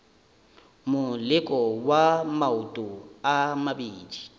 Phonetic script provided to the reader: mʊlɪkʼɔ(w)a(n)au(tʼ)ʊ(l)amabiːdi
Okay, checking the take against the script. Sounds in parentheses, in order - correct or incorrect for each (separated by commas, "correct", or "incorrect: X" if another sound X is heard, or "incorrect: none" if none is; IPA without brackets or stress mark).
correct, incorrect: m, correct, incorrect: none